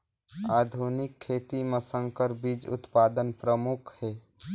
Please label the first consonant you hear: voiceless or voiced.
voiced